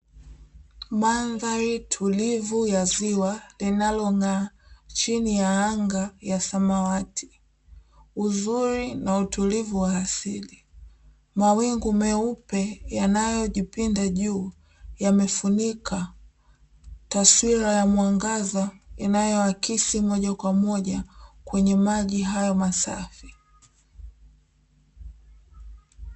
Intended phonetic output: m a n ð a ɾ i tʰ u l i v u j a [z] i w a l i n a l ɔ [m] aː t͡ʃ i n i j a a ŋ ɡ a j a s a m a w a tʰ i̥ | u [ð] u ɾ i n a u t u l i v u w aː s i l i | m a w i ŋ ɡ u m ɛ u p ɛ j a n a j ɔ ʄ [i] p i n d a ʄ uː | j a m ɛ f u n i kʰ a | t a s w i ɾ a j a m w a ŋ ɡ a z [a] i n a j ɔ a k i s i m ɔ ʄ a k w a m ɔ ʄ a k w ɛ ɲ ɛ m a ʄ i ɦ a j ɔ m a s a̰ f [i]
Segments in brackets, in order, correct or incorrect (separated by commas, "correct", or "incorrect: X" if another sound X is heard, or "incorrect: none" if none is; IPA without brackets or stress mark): correct, incorrect: ŋ, incorrect: z, correct, correct, correct